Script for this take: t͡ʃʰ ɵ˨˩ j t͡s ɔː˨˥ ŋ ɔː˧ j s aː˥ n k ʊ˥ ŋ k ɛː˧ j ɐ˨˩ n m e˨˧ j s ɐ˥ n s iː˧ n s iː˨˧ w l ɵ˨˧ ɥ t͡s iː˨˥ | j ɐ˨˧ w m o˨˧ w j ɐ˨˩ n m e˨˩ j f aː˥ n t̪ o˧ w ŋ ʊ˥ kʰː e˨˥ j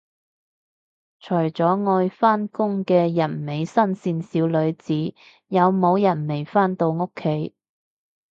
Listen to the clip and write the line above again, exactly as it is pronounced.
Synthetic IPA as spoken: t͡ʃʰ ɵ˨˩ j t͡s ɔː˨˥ ŋ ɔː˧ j f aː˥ n k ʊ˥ ŋ k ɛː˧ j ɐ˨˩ n m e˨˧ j s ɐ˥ n s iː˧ n s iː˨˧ w l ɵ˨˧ ɥ t͡s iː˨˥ | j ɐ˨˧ w m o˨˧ w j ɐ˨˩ n m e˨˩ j f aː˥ n t̪ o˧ w ŋ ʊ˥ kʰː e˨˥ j